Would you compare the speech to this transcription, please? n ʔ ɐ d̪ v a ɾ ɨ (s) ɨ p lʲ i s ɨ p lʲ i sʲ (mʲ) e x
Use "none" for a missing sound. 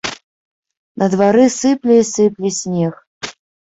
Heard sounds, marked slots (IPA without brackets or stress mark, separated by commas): s, nʲ